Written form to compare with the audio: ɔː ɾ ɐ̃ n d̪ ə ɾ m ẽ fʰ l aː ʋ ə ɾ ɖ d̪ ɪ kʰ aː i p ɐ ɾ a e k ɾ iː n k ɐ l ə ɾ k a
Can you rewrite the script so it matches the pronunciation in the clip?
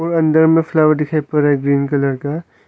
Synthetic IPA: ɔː ɾ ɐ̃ n d̪ ə ɾ m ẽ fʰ l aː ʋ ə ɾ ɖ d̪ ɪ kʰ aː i p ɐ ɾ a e ɡ ɾ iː n k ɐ l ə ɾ k a